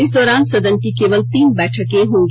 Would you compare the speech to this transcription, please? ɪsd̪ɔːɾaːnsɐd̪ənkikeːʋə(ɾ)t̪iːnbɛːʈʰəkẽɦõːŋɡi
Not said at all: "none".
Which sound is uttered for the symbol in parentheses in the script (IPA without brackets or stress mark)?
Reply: l